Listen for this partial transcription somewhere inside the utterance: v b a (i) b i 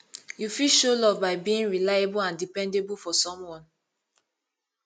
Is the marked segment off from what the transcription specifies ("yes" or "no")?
yes